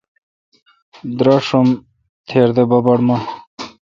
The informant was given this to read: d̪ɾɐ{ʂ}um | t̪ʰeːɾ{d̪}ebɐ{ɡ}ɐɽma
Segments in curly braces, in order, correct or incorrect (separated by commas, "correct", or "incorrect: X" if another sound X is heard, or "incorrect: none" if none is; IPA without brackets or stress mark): correct, correct, incorrect: b